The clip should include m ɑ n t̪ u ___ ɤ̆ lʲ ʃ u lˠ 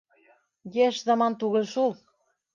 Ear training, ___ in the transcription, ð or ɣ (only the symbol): ɣ